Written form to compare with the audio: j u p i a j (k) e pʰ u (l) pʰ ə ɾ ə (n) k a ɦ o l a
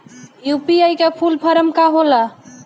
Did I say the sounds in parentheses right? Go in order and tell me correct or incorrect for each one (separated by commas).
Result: correct, correct, incorrect